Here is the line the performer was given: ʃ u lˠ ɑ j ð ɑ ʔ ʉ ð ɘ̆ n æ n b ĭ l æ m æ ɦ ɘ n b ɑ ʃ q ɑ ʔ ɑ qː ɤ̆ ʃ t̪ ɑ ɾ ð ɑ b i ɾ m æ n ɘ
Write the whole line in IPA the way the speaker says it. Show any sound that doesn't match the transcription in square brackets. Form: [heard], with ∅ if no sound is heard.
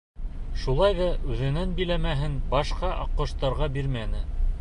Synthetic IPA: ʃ u lˠ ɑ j ð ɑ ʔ ʉ ð ɘ̆ n æ n b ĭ l æ m æ ɦ ɘ n b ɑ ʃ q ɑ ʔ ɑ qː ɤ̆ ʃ t̪ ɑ ɾ [ʁ] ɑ b i ɾ m æ n ɘ